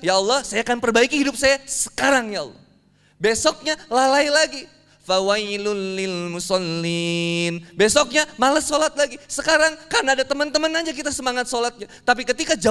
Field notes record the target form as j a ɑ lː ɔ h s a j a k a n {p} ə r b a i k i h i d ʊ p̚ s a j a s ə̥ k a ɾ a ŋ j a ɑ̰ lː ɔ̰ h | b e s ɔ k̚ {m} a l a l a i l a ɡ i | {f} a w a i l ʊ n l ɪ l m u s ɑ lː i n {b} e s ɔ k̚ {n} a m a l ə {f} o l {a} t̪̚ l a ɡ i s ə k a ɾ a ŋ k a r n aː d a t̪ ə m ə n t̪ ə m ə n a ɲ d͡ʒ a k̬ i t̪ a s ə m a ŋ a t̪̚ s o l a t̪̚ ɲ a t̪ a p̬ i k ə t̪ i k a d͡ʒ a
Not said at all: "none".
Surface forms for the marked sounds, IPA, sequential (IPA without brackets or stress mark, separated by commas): p, ɲ, f, b, ɲ, s, a